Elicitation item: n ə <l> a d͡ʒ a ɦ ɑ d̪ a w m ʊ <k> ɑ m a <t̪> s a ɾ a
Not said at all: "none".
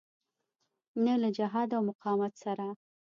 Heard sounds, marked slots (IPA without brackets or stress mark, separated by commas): l, q, t̪